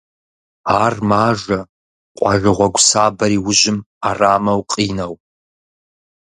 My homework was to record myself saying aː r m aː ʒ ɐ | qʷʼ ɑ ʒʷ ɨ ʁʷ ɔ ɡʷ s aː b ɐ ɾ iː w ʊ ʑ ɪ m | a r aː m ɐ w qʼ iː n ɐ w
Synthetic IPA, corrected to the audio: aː r m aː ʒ ɐ | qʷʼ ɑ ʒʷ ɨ ʁʷ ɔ ɡʷ s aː b ɐ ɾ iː w ʊ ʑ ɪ m | a r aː m ɐ w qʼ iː n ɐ w

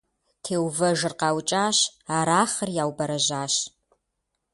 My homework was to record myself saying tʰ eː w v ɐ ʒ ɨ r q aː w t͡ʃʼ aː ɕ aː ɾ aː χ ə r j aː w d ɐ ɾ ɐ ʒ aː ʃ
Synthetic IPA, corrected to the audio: tʰ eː w v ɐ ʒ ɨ r q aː w t͡ʃʼ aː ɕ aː ɾ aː χ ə r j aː w b ɐ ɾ ɐ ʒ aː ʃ

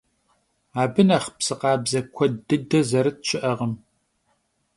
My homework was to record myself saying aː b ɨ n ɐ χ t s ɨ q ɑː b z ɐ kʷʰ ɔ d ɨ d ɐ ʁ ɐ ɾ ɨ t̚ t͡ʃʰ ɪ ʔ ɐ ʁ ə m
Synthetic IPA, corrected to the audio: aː b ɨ n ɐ χ p s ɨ q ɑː b z ɐ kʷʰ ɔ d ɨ d ɐ z ɐ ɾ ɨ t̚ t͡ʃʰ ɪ ʔ ɐ ʁ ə m

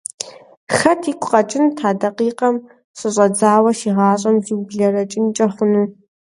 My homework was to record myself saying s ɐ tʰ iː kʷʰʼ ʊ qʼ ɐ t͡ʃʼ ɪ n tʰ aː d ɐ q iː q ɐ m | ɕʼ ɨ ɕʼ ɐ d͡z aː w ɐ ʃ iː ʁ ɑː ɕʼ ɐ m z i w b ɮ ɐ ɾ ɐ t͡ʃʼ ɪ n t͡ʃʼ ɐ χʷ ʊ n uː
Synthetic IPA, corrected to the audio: x ɐ tʰ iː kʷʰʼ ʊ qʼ ɐ t͡ʃʼ ɪ n tʰ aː d ɐ q iː q ɐ m | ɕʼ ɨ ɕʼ ɐ d͡z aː w ɐ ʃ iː ʁ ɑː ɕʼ ɐ m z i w b ɮ ɐ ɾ ɐ t͡ʃʼ ɪ n t͡ʃʼ ɐ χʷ ʊ n uː

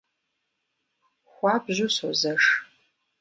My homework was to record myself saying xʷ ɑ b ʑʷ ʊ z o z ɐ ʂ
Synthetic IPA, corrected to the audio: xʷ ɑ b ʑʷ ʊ s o z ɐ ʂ

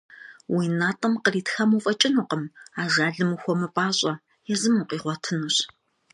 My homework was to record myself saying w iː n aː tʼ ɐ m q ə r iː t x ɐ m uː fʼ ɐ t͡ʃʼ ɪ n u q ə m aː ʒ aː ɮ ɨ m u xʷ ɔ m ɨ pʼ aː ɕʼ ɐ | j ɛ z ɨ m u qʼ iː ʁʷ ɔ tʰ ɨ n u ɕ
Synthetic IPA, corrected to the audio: w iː n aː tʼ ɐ m q ə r iː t x ɐ m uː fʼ ɐ t͡ʃʼ ɪ n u q ə m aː ʒ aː ɮ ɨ m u xʷ ɔ m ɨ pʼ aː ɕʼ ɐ | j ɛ z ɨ m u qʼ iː ʁʷ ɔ tʰ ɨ n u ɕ

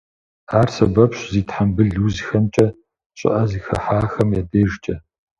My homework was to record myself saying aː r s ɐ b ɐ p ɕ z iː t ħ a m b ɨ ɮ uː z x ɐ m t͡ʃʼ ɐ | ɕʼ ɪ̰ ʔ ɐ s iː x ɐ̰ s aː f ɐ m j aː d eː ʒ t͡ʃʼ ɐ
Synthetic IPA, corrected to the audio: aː r s ɐ b ɐ p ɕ z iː t ħ a m b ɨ ɮ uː z x ɐ m t͡ʃʼ ɐ | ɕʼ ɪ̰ ʔ ɐ z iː x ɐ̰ ħ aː x ɐ m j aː d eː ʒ t͡ʃʼ ɐ

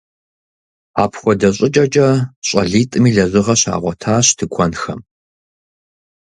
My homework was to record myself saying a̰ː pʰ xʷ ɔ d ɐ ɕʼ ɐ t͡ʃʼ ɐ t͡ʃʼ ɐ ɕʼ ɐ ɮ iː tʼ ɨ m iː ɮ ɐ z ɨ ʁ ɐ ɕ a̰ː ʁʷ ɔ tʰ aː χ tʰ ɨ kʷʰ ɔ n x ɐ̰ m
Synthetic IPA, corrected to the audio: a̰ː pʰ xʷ ɔ d ɐ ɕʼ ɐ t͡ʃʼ ɐ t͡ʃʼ ɐ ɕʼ ɐ ɮ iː tʼ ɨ m iː ɮ ɐ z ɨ ʁ ɐ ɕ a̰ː ʁʷ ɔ tʰ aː ɕ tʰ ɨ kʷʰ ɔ n x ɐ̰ m

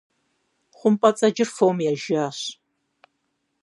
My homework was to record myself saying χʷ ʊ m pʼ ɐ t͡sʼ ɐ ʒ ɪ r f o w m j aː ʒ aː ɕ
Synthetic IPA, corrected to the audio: χʷ ʊ m pʼ ɐ t͡sʼ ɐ d͡ʒ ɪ r f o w m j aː ʒ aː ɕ

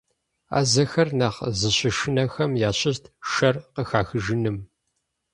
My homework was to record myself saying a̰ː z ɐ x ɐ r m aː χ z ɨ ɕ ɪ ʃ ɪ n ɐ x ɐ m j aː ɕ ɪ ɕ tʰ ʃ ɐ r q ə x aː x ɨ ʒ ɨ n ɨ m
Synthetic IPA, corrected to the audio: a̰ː z ɐ x ɐ r n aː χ z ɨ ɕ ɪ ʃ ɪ n ɐ x ɐ m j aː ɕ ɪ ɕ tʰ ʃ ɐ r q ə x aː x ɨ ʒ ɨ n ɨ m

